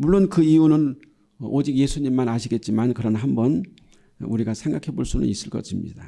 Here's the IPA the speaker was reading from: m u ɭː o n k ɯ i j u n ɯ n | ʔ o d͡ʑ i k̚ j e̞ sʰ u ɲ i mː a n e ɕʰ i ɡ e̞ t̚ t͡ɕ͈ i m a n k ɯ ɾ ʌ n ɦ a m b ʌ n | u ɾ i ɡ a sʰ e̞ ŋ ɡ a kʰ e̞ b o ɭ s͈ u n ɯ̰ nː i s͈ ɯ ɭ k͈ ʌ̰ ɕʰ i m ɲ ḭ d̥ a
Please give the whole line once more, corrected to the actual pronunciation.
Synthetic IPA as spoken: m u ɭː o n k ɯ i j u n ɯ n | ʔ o d͡ʑ i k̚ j e̞ sʰ u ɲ i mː a n a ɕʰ i ɡ e̞ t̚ t͡ɕ͈ i m a n k ɯ ɾ ʌ n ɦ a m b ʌ n | u ɾ i ɡ a sʰ e̞ ŋ ɡ a kʰ e̞ b o ɭ s͈ u n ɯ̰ n i s͈ ɯ ɭ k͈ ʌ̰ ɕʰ i m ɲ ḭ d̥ a